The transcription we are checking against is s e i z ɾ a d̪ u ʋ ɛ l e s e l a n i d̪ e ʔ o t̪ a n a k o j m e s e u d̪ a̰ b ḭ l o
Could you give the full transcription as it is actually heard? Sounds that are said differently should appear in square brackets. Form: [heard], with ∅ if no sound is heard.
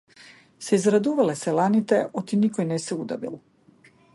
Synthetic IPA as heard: s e i z ɾ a d̪ u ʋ [a] l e s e l a n i [t̪] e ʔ o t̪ [i] n [i] k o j [n] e s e u d̪ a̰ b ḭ l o